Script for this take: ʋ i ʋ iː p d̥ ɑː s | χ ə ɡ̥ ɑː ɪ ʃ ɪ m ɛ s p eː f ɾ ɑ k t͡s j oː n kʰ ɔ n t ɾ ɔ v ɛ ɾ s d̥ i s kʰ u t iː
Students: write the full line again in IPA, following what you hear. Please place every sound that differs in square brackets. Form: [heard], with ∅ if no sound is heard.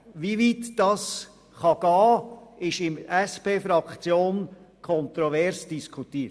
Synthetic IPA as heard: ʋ i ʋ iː [t] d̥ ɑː s | χ [ɑ] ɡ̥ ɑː ɪ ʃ ɪ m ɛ s p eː f ɾ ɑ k t͡s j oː n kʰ ɔ n t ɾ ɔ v ɛ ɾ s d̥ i s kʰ u t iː